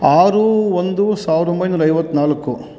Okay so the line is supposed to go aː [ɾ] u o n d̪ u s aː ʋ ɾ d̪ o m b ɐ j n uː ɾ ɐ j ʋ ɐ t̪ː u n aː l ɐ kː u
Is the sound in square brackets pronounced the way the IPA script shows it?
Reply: yes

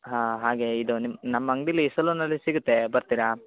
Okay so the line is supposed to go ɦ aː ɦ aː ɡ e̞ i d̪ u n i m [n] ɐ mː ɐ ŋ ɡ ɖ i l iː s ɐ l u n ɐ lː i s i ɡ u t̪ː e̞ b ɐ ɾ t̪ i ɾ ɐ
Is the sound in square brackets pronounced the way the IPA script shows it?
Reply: yes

